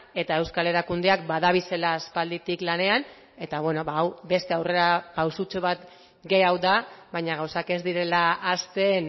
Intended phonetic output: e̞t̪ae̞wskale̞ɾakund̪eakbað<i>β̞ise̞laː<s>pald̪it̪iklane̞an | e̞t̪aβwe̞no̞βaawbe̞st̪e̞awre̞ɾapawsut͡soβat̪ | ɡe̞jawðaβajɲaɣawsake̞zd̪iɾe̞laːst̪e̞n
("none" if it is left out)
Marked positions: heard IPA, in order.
a, s

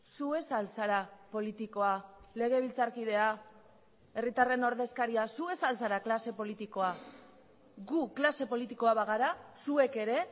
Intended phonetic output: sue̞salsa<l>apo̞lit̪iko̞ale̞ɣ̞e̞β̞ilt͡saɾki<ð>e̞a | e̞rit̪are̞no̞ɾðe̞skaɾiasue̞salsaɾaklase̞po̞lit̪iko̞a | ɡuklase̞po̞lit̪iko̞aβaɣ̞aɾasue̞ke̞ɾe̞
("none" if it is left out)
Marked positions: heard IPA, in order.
ɾ, ð

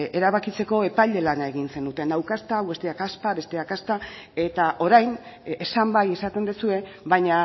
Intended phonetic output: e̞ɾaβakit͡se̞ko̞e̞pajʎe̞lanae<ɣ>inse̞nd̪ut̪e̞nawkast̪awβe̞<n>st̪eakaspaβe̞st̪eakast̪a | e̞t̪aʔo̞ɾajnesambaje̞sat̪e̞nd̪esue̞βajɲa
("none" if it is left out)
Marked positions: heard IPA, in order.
ɣ, none

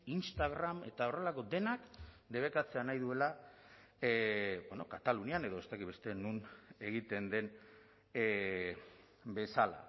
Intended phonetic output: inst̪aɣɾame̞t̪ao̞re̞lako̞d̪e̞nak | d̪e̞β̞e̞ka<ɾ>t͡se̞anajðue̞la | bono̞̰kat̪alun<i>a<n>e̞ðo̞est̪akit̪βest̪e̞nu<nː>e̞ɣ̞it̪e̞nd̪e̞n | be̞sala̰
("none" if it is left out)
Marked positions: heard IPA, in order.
none, i, n, n

